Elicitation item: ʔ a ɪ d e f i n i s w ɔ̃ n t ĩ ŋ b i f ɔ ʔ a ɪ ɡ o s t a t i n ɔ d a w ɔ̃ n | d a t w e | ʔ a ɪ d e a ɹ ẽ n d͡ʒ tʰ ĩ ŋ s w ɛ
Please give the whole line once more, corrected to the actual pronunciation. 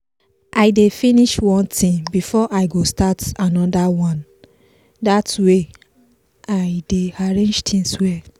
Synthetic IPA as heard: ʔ a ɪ d e f i n i ʃ w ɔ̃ n t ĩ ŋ b i f ɔ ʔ a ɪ ɡ o s t a t a n ɔ d a w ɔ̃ n | d a t w e | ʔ a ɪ d e a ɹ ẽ n d͡ʒ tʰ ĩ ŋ s w ɛ

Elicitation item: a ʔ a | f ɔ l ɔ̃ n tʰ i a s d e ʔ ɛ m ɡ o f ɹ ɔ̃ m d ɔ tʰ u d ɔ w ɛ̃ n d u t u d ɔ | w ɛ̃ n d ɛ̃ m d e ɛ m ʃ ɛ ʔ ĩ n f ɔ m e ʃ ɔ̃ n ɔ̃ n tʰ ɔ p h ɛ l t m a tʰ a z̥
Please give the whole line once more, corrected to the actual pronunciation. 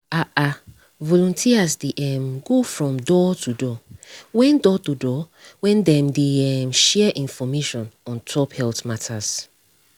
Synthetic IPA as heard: a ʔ a | v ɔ l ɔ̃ n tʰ i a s d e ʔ ɛ m ɡ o f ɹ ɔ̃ m d ɔ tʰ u d ɔ w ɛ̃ n d ɔ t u d ɔ | w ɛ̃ n d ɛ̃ m d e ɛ m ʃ ɛ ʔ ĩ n f ɔ m e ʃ ɔ̃ n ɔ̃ n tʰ ɔ p h ɛ l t m a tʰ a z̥

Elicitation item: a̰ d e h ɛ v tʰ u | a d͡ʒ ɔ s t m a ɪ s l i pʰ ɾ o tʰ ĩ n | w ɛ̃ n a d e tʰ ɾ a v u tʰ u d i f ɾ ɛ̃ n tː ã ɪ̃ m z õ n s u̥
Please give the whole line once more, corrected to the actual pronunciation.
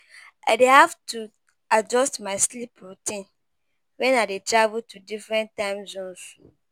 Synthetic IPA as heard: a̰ d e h a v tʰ u | a d͡ʒ ɔ s t m a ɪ s l i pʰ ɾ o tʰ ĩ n | w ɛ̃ n a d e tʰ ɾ a v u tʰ u d i f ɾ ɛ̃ n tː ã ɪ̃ m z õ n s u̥

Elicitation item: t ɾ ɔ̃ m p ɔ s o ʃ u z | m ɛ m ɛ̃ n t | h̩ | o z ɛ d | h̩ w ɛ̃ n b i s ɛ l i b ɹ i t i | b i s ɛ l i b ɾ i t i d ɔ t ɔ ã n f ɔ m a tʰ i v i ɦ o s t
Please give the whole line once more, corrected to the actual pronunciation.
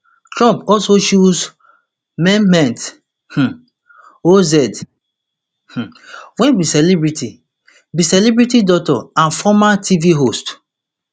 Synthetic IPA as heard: t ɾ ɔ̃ m p ɔ s o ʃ u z | m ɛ m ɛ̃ n t | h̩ | o z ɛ d | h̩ w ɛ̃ n b i s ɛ l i b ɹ i t i | b i s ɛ l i b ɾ i t i d ɔ t ɔ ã n f ɔ m a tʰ i v i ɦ o s t

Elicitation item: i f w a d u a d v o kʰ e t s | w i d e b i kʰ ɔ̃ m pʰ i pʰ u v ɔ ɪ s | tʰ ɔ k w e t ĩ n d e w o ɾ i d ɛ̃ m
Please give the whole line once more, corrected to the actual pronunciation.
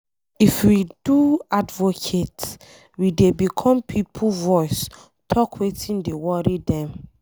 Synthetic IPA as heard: i f w i d u a d v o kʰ e t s | w i d e b i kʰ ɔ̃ m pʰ i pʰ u v ɔ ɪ s | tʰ ɔ k w e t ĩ n d e w ɔ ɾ i d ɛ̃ m

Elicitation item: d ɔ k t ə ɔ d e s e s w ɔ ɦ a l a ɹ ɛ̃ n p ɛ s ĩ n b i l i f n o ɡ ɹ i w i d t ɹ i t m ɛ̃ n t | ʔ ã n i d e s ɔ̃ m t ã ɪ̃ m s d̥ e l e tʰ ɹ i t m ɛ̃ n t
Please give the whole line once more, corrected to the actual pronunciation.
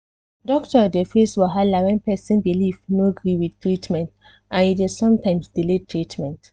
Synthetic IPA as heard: d ɔ k t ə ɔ d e f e s w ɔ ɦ a l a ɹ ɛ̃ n p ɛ s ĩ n b i l i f n o ɡ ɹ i w i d t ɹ i t m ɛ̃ n t | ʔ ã n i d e s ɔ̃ m t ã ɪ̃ m s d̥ i l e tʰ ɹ i t m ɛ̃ n t

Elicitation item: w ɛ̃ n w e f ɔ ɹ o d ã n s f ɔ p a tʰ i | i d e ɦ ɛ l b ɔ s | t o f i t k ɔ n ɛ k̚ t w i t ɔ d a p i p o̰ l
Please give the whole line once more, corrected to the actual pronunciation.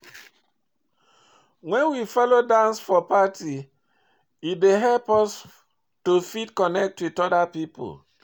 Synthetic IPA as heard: w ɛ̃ n w i f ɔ l o d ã n s f ɔ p a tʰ i | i d e ɦ ɛ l p ɔ s | t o f i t k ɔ n ɛ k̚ t w i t ɔ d a p i p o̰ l

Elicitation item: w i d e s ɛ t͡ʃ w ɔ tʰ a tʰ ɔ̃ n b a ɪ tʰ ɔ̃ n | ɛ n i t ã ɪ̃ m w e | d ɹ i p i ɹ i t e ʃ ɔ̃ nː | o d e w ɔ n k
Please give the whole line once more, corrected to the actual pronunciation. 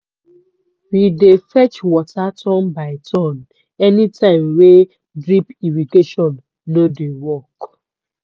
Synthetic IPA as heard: w i d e f ɛ t͡ʃ w ɔ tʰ a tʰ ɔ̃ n b a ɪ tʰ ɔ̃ n | ɛ n i t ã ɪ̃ m w e | d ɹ i p i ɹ i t e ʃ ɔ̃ nː | o d e w ɔ k

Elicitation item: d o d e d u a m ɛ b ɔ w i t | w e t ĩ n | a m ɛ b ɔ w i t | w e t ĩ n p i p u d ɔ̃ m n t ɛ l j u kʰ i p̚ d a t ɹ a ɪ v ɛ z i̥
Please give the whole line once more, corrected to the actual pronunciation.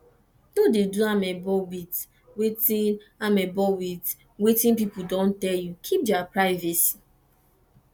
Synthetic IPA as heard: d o d e d u a m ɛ b ɔ w i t | w e t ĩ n | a m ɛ b ɔ w i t | w e t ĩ n p i p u d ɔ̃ n t ɛ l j u kʰ i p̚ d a p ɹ a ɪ v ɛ s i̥

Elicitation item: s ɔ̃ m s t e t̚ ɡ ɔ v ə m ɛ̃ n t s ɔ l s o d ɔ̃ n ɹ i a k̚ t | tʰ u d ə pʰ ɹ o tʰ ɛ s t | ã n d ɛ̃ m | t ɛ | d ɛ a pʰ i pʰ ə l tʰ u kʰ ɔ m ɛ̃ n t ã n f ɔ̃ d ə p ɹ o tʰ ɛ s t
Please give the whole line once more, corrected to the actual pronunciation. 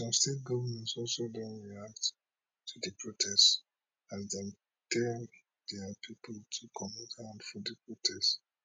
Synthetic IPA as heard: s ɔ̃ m s t e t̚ ɡ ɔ v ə m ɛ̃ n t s ɔ l s o d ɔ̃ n ɹ i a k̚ t | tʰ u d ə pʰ ɹ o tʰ ɛ s t | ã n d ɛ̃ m | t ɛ | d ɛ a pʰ i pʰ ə l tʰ u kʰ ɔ m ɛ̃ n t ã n f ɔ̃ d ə p ɹ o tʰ ɛ s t

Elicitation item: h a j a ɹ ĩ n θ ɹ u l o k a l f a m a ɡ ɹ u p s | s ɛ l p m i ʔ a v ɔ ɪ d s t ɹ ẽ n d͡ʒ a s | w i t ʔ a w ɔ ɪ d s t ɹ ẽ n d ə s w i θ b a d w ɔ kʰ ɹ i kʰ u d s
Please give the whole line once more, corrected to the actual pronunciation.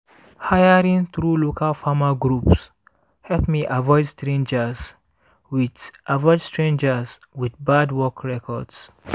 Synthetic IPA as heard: h a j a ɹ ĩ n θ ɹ u l o k a l f a m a ɡ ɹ u p s | h ɛ l p m i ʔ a v ɔ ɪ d s t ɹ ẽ n d͡ʒ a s | w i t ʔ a v ɔ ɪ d s t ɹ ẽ n d͡ʒ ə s w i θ b a d w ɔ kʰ ɹ ɛ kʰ ɔ d s

